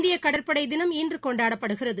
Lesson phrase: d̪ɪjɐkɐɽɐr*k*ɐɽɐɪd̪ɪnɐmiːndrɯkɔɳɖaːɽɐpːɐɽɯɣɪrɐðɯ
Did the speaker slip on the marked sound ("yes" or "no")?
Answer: yes